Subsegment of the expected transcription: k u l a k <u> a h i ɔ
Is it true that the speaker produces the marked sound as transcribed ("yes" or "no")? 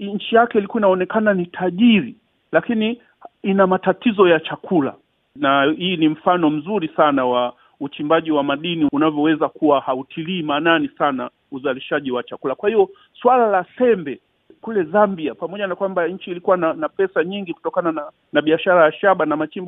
no